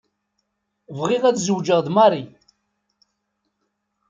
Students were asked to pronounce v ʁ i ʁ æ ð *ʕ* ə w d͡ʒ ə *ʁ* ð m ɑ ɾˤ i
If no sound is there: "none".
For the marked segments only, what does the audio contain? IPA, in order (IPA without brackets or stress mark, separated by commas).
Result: z, ʁ